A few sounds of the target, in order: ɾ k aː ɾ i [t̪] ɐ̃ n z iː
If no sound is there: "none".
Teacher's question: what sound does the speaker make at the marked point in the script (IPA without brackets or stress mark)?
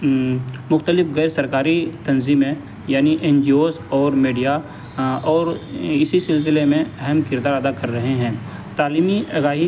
t̪